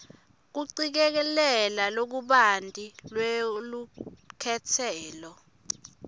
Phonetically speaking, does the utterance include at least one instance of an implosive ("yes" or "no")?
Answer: yes